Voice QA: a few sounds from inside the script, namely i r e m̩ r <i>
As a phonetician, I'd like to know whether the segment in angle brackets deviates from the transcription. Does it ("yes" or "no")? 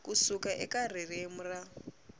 yes